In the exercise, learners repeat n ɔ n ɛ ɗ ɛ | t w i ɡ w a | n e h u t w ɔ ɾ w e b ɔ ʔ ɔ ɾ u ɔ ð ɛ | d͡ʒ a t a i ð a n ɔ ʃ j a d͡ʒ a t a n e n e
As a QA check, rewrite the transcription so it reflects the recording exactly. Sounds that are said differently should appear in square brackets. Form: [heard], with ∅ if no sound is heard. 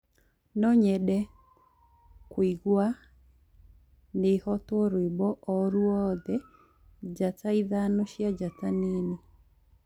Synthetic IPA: n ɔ [ɲ] ɛ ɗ ɛ | [k] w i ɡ w a | n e h [ɔ] t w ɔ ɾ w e b ɔ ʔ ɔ ɾ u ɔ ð ɛ | d͡ʒ a t a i ð a n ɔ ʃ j a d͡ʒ a t a n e n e